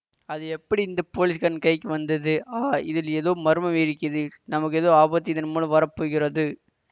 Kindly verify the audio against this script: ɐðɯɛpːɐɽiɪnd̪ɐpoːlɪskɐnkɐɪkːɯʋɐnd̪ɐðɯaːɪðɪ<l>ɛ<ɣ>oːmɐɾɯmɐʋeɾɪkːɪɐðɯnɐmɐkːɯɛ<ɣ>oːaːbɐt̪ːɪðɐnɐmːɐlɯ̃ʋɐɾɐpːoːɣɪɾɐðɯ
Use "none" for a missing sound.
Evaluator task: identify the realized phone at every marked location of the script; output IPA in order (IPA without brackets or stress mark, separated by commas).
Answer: l, ð, ð